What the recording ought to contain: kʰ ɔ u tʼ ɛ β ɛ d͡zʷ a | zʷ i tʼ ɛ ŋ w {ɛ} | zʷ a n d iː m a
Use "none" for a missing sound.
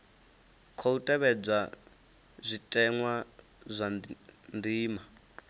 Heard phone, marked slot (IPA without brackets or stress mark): a